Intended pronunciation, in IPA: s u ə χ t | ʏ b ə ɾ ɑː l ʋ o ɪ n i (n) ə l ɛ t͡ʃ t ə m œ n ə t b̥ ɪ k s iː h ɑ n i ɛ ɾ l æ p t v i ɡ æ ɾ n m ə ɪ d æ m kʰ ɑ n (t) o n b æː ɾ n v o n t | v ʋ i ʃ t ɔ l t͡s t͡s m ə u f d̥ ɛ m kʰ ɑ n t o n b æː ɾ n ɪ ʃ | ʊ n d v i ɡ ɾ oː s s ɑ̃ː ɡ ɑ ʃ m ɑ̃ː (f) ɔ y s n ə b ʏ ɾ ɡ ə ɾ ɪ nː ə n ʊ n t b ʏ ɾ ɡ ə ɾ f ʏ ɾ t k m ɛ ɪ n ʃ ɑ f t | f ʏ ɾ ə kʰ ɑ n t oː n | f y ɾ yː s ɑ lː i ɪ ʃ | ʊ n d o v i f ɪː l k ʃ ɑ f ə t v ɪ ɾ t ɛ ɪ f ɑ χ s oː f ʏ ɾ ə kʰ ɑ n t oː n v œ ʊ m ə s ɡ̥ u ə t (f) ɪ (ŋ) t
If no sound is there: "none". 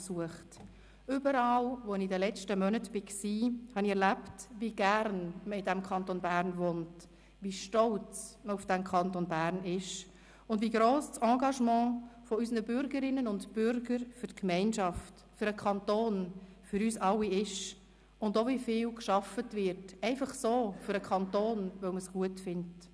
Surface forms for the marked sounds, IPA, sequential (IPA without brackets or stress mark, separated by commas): d, t, f, f, n